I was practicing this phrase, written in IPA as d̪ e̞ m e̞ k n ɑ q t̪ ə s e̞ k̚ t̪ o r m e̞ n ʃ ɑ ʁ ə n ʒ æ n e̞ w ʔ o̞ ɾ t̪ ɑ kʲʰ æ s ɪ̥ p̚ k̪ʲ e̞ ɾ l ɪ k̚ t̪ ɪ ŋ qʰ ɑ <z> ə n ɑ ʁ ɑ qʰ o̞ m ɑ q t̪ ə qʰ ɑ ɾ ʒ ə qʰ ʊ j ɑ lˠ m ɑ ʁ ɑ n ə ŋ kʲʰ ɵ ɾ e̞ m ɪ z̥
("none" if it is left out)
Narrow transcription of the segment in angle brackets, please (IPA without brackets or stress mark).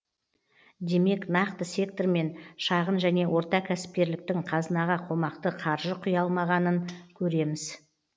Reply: z